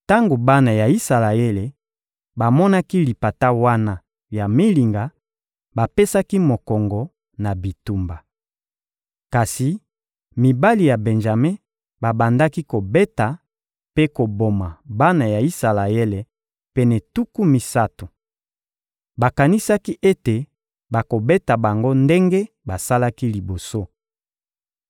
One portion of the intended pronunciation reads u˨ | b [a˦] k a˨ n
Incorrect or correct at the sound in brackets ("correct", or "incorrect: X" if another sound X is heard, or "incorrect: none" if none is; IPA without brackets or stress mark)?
incorrect: a˨